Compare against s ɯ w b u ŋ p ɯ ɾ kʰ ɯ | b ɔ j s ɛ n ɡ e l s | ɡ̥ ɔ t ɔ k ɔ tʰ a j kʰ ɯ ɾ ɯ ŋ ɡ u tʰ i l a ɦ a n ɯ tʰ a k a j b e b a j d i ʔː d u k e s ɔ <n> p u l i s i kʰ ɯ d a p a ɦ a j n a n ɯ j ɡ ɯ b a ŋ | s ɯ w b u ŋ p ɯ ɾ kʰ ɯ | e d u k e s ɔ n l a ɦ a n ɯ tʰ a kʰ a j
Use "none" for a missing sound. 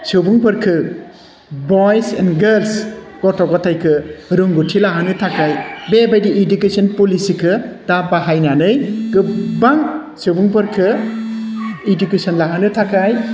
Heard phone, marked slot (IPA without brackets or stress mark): n